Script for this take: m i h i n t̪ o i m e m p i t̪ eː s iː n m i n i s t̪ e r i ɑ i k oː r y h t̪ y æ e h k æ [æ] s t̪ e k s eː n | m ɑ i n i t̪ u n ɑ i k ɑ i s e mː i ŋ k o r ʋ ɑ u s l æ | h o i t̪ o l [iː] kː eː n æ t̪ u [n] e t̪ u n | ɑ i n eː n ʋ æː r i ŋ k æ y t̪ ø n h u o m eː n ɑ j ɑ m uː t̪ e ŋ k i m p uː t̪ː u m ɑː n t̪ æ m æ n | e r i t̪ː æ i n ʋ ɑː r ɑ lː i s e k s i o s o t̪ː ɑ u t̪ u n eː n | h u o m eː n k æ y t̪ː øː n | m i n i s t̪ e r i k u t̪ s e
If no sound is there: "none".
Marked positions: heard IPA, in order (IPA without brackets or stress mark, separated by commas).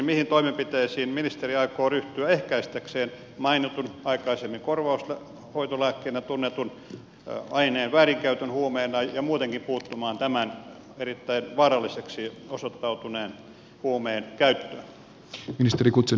i, æː, nː